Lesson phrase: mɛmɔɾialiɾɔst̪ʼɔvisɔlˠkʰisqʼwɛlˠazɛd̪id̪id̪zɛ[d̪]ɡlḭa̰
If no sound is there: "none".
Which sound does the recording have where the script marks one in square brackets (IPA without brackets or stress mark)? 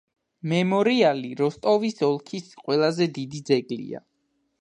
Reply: none